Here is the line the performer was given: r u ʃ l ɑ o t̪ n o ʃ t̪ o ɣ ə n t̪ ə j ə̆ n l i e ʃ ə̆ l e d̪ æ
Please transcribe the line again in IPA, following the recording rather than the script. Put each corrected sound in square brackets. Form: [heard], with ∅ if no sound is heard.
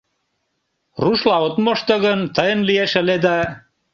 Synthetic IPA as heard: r u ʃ l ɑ o t̪ [m] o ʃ t̪ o ɣ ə n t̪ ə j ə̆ n l i e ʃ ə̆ l e d̪ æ